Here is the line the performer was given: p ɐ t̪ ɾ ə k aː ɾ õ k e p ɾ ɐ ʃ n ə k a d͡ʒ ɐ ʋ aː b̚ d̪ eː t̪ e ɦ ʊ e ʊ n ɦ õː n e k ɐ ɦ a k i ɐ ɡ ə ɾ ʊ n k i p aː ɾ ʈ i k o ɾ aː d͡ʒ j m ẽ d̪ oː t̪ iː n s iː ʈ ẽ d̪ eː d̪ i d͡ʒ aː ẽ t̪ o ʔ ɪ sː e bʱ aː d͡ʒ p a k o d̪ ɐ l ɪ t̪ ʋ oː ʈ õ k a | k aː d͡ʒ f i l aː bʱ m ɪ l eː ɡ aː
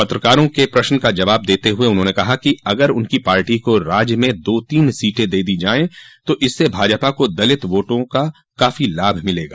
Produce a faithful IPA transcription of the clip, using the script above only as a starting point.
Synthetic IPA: p ɐ t̪ ɾ ə k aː ɾ õ k e p ɾ ɐ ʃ n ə k a d͡ʒ ɐ ʋ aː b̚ d̪ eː t̪ e ɦ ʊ e ʊ n ɦ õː n e k ɐ ɦ a k i ɐ ɡ ə ɾ ʊ n k i p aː ɾ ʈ i k o ɾ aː d͡ʒ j m ẽ d̪ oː t̪ iː n s iː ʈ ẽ d̪ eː d̪ i d͡ʒ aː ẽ t̪ o ʔ ɪ sː e bʱ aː d͡ʒ p a k o d̪ ɐ l ɪ t̪ ʋ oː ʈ õ k a | k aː f i l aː bʱ m ɪ l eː ɡ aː